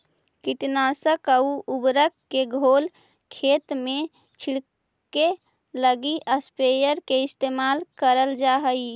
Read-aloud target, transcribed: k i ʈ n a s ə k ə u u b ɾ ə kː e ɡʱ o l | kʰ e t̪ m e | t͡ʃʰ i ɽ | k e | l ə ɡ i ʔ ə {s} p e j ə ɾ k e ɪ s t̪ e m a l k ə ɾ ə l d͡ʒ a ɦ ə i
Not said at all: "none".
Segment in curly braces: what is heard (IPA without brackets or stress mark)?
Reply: s